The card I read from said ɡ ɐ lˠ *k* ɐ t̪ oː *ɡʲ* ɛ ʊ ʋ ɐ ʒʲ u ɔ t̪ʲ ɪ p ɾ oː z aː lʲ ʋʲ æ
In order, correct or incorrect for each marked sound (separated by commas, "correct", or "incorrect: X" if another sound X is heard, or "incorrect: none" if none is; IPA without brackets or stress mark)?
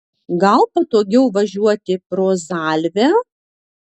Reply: incorrect: p, correct